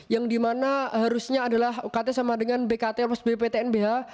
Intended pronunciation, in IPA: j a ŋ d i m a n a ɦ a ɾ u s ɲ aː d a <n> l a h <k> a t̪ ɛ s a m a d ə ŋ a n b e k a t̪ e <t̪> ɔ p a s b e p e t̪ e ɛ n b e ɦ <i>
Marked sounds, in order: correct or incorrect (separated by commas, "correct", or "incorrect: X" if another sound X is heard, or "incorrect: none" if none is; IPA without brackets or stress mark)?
incorrect: none, correct, incorrect: none, incorrect: a